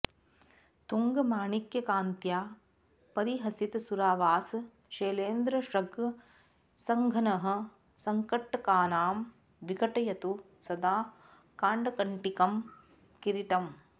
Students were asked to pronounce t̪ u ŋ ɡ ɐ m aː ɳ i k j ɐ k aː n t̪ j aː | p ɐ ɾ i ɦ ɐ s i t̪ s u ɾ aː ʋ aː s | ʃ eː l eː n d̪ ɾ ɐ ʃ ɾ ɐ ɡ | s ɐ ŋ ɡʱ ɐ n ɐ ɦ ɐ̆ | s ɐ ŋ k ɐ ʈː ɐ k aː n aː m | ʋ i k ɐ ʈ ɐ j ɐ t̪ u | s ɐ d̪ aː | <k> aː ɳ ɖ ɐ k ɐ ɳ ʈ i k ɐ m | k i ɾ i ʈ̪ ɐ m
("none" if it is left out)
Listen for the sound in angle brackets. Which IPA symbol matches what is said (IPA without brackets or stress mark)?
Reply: k